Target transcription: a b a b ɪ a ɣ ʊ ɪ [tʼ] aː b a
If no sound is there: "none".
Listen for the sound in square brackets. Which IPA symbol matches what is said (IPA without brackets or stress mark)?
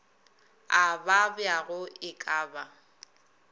kʼ